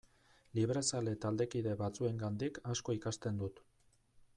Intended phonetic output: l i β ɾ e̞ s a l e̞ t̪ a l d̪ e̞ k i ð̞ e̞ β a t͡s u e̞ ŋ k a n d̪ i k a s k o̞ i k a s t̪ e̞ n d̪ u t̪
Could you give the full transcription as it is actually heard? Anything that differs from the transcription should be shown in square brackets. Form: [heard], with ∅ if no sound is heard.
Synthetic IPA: l i β ɾ e̞ s a l e̞ t̪ a l d̪ e̞ k i ð̞ e̞ β a t͡s u e̞ ŋ [ɡ] a n d̪ i k a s k o̞ i k a s t̪ e̞ n d̪ u t̪